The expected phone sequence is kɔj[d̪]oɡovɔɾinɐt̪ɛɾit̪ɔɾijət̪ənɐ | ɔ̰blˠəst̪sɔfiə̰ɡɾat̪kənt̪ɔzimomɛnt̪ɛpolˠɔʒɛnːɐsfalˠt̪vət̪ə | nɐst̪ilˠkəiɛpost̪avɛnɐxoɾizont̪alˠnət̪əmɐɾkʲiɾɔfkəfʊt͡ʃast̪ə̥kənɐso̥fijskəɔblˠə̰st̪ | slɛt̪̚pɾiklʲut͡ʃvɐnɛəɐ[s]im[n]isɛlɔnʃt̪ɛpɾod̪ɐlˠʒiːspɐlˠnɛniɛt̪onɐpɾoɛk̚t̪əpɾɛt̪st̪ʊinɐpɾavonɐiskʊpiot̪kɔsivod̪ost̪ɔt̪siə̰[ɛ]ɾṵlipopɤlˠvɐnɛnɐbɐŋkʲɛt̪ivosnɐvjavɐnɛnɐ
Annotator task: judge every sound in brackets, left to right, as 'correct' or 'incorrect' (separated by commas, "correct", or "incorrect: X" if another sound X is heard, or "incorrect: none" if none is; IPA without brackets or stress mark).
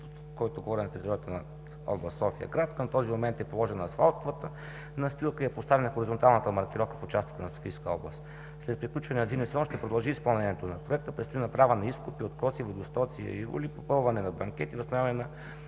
incorrect: t̪, incorrect: z, correct, incorrect: i